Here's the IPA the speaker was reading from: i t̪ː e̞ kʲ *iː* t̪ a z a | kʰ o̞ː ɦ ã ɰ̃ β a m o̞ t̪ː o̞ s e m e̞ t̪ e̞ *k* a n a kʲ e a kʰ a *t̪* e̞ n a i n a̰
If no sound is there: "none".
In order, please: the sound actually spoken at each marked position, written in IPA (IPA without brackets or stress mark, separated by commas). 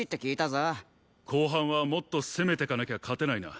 iː, k, t̪